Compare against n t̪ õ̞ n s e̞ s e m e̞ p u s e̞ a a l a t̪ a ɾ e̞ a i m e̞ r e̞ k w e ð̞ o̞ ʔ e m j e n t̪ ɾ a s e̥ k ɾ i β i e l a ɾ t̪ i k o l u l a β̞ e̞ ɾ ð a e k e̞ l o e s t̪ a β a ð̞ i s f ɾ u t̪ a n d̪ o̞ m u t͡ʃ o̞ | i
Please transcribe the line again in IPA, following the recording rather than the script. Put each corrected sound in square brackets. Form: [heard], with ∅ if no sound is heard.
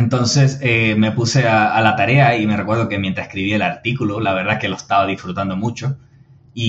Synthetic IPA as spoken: n t̪ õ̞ n s e̞ s e m e̞ p u s e̞ a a l a t̪ a ɾ e̞ a i m e̞ r e̞ k w e ð̞ o̞ [k] e m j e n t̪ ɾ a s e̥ k ɾ i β i e l a ɾ t̪ i k [u] l u l a β̞ e̞ ɾ ð a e k e̞ l o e s t̪ a β a ð̞ i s f ɾ u t̪ a n d̪ o̞ m u t͡ʃ o̞ | i